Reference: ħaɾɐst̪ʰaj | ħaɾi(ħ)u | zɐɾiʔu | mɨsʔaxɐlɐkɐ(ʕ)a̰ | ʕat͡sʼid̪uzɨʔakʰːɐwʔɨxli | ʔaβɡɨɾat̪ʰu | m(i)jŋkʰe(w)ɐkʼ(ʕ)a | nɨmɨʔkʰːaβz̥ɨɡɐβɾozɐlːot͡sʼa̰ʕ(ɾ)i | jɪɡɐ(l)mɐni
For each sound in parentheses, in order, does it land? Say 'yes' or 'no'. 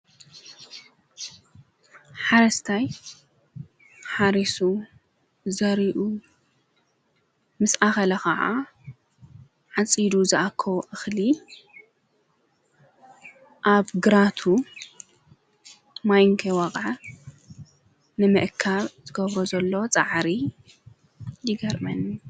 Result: no, yes, no, yes, yes, yes, no

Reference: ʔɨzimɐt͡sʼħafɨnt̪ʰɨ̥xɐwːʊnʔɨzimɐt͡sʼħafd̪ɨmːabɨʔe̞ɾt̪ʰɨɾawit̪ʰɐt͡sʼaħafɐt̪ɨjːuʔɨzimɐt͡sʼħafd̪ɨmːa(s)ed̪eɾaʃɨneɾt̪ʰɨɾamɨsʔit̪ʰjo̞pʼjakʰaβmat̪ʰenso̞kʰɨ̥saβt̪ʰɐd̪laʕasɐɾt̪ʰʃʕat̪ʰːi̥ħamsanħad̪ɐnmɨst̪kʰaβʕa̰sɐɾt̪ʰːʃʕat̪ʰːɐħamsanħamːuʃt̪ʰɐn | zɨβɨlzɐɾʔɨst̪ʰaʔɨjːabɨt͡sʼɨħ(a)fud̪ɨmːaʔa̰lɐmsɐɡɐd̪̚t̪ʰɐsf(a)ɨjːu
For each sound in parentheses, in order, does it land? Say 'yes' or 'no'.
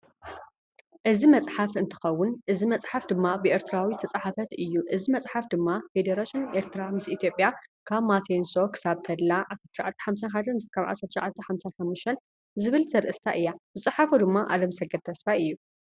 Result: no, yes, yes

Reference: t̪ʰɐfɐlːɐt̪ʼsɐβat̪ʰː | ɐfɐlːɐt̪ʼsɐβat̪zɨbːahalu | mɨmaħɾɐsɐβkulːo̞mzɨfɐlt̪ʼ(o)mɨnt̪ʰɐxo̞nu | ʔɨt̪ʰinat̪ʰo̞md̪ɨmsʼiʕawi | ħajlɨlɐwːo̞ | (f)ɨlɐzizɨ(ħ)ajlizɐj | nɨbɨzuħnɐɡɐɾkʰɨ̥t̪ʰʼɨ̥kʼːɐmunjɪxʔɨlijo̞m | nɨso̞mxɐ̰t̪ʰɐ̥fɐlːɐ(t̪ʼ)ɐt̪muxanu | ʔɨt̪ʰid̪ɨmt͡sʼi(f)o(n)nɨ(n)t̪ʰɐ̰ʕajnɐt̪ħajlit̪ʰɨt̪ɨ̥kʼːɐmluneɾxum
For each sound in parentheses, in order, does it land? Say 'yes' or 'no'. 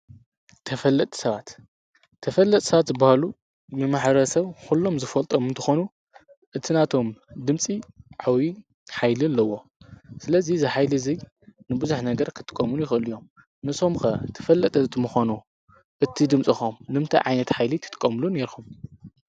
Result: yes, no, yes, yes, no, no, no

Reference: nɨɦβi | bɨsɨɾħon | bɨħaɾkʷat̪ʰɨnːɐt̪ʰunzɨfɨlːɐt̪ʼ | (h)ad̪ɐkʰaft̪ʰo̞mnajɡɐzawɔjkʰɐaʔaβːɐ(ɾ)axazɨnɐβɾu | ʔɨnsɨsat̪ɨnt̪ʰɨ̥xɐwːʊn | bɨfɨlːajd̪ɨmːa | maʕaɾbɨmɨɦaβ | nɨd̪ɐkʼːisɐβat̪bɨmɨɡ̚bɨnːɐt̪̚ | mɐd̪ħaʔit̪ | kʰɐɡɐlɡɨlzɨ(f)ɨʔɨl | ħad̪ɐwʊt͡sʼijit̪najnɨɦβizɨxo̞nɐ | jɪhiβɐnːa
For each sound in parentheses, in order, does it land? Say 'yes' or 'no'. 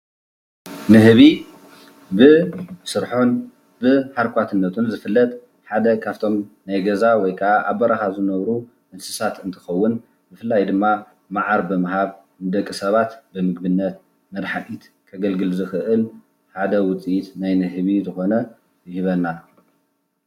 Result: no, yes, no

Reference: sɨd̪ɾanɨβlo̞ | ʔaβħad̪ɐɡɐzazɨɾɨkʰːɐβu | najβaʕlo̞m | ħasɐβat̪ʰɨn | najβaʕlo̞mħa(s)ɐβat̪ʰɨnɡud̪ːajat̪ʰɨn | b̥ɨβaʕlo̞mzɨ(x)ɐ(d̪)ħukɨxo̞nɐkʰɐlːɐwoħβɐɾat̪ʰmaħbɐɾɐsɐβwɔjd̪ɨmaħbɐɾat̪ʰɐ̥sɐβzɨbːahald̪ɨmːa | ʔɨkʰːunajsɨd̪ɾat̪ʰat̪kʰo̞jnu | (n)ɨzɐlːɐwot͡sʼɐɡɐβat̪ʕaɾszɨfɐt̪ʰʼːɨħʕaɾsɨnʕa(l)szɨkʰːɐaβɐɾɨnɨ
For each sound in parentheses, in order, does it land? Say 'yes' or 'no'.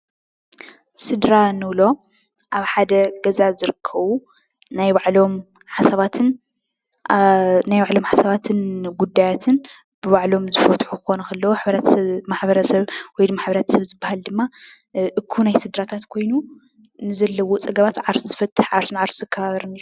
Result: yes, no, no, yes, no

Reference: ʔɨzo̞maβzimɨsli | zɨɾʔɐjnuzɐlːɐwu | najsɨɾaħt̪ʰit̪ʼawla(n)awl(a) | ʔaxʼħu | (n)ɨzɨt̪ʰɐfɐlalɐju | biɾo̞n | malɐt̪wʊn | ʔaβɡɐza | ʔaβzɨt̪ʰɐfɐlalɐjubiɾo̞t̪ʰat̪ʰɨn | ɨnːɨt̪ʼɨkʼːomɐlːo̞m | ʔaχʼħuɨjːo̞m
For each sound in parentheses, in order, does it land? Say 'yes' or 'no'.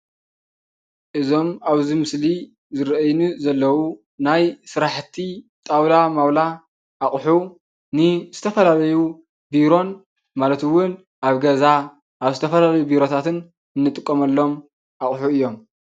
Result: no, yes, yes

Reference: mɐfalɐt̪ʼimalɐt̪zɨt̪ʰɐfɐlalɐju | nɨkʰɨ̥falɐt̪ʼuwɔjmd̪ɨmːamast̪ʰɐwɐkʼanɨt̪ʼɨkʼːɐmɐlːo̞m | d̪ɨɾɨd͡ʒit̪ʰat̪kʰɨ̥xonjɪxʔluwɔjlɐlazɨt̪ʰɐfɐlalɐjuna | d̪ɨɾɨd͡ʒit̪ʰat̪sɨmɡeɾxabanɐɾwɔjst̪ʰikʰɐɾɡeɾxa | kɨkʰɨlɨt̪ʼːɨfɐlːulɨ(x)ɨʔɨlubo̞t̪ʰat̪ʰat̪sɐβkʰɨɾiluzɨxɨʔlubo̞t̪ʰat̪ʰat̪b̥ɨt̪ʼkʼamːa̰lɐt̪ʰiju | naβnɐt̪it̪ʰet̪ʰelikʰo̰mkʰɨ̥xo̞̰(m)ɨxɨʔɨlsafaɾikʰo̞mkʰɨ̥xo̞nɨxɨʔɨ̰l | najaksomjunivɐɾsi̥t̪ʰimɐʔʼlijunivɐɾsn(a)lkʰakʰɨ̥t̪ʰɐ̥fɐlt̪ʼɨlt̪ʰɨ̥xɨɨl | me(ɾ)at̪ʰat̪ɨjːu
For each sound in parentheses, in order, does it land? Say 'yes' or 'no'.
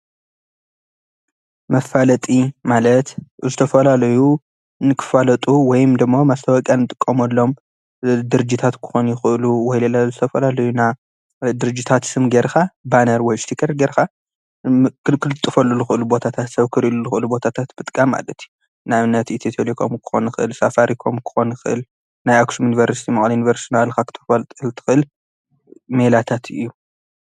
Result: yes, no, yes, no

